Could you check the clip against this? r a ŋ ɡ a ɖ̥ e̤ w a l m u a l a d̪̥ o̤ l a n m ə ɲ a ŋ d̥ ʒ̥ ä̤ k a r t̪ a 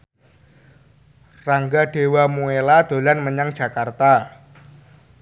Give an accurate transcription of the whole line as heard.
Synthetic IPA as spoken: r a ŋ ɡ a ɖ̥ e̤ w a m u e l a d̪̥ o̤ l a n m ə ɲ a ŋ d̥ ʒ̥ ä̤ k a r t̪ a